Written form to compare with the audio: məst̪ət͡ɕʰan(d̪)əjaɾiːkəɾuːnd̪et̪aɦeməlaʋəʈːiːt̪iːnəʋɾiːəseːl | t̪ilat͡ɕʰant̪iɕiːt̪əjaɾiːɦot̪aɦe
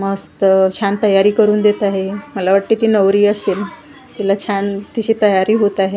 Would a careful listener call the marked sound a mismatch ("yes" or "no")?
yes